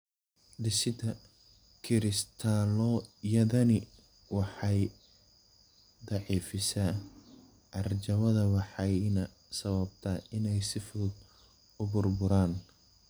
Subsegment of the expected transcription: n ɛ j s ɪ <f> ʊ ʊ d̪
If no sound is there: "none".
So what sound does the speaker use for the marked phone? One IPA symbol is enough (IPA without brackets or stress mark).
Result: f